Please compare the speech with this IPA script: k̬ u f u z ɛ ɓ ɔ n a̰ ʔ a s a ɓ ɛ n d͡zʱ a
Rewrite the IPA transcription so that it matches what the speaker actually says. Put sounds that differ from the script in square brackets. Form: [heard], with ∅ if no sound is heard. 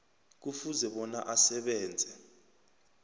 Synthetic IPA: k̬ u f u z ɛ ɓ ɔ n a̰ ʔ a s [ɛ] ɓ [ɛː] n d͡zʱ [ɛ]